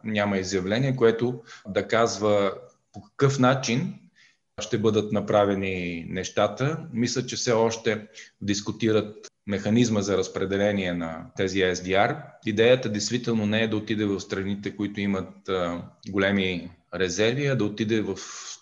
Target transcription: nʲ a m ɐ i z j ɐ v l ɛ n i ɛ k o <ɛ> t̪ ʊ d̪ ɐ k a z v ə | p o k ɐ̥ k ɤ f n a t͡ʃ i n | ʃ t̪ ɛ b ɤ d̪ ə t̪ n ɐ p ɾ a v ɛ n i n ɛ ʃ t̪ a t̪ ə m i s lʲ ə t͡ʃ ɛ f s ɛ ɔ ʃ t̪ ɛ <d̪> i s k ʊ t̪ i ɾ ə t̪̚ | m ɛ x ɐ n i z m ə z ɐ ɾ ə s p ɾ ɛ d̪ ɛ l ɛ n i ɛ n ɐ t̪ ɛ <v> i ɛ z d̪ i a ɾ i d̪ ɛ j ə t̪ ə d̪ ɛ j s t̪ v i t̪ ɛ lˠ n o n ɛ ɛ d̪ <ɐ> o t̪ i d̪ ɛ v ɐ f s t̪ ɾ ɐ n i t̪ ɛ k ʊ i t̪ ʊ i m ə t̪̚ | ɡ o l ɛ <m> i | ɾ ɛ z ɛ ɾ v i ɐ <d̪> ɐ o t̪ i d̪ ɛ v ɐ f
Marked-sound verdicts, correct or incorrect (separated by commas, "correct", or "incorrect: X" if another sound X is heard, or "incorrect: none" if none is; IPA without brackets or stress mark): correct, correct, incorrect: z, correct, correct, correct